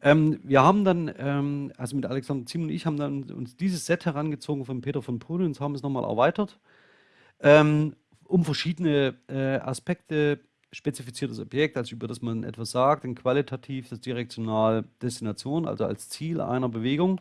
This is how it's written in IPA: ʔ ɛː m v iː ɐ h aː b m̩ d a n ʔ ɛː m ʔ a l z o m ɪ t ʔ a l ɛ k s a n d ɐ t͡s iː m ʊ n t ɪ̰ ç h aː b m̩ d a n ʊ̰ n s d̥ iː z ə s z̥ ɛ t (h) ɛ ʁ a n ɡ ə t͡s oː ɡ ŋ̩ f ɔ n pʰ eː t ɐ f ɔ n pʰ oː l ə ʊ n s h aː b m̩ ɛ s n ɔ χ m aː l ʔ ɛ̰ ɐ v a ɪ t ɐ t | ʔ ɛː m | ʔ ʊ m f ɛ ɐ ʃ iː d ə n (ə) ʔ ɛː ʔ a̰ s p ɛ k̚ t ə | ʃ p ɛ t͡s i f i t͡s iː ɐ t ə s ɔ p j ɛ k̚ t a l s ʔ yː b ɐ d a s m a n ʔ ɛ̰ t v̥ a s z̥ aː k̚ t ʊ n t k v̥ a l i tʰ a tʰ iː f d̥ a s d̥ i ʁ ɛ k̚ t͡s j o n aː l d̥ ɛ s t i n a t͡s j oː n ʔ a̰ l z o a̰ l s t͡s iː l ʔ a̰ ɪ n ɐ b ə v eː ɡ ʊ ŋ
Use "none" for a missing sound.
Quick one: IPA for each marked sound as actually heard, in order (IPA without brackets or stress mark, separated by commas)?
h, ə